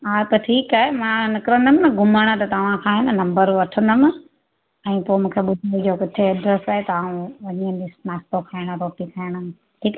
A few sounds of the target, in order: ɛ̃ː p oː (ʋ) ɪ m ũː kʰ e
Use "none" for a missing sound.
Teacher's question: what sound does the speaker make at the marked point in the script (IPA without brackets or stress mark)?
none